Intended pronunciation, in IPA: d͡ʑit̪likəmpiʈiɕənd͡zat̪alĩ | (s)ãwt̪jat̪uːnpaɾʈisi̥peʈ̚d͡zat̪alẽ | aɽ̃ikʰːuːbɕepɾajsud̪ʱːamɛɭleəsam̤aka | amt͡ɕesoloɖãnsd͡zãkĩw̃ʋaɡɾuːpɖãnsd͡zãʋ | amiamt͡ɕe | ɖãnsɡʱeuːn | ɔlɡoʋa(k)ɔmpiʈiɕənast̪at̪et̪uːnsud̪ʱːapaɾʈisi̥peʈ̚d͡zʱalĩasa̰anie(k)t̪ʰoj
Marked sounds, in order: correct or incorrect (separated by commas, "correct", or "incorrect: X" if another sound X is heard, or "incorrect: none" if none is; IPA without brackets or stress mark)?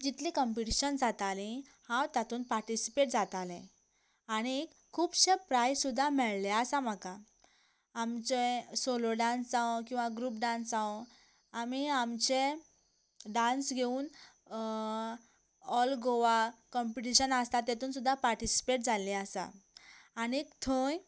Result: incorrect: h, correct, correct